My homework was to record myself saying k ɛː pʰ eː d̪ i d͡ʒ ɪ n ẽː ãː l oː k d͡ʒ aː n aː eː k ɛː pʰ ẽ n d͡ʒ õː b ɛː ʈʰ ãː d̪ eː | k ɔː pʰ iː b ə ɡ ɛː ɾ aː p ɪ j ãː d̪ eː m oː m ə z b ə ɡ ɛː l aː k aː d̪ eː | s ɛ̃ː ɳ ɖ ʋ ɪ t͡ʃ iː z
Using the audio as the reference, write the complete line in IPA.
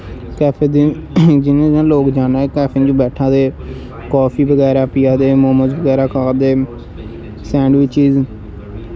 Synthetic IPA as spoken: k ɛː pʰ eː d̪ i d͡ʒ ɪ n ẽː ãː l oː k d͡ʒ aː n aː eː k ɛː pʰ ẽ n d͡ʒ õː b ɛː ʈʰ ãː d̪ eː | k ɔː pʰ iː b ə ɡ ɛː ɾ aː p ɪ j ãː d̪ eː m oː m ə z b ə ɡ ɛː ɾ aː k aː d̪ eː | s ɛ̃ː ɳ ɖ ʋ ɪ t͡ʃ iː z